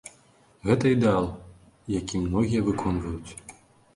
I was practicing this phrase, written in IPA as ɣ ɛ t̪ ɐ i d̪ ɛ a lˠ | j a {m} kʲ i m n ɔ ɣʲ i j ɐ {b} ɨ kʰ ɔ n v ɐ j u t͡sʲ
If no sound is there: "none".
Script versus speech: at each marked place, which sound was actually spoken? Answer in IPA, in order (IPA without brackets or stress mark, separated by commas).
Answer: none, v